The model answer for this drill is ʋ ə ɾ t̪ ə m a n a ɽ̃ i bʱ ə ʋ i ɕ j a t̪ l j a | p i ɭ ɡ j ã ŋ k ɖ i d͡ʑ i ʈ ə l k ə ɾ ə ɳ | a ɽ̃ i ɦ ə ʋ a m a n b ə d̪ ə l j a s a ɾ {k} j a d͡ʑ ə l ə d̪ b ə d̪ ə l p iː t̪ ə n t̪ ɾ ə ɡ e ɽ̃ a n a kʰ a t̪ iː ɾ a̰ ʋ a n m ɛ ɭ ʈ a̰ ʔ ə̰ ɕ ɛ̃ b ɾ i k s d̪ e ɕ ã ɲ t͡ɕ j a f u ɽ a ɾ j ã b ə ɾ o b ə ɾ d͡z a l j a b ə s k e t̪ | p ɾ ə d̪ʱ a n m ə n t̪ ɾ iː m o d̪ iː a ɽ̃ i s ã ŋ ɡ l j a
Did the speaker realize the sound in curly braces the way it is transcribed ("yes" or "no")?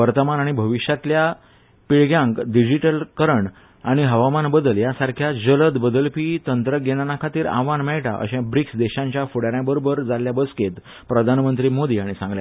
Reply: no